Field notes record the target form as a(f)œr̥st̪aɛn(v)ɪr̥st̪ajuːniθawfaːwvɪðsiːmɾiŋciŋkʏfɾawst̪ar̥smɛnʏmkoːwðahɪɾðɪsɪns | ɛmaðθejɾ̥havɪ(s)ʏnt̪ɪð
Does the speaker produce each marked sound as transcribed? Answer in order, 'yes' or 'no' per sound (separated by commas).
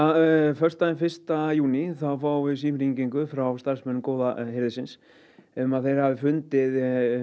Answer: yes, no, no